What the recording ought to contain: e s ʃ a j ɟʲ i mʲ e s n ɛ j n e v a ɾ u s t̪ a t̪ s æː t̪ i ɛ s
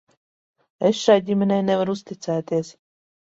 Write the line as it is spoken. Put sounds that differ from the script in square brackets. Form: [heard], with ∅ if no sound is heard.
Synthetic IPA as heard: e s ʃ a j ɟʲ i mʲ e [∅] n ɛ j n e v a ɾ u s t̪ [i] t̪ s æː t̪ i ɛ s